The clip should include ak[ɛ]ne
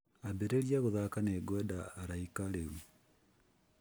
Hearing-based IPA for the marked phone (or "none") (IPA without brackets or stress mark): a